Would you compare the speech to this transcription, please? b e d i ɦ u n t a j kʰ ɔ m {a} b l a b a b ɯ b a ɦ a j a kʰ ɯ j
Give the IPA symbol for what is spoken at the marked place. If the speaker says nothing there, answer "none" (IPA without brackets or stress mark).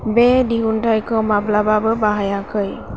a